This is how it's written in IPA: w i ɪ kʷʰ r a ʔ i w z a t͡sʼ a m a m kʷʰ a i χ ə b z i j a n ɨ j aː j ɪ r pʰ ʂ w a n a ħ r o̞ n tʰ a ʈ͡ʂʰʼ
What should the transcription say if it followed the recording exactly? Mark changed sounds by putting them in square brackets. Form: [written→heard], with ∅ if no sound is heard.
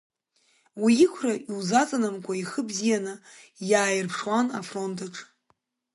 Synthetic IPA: w i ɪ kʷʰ r a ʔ i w z a t͡sʼ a [m→n] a m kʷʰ a i χ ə b z i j a n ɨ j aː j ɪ r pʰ ʂ w a n a [ħ→f] r o̞ n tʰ a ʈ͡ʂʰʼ